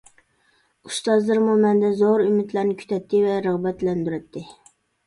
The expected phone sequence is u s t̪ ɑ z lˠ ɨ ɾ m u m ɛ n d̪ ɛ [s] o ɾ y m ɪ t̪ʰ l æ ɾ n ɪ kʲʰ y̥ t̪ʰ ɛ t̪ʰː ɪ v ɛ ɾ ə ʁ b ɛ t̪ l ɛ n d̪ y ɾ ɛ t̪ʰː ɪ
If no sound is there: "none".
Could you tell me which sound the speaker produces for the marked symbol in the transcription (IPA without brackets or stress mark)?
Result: z